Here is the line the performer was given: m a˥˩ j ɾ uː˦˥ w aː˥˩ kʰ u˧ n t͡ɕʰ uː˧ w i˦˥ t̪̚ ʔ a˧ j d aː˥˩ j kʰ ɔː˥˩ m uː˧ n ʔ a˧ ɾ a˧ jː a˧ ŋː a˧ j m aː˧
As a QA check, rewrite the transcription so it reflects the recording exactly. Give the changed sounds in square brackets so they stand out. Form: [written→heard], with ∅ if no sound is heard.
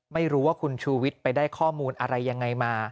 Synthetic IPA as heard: m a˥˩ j ɾ uː˦˥ w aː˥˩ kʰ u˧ n t͡ɕʰ uː˧ w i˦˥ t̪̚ [ʔ→p] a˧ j d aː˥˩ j kʰ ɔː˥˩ m uː˧ n ʔ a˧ ɾ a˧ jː a˧ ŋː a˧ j m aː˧